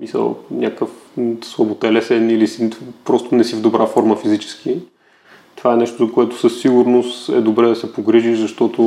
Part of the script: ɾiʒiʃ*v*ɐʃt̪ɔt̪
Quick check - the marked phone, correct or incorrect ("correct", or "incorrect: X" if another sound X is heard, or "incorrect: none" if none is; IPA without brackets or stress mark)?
incorrect: z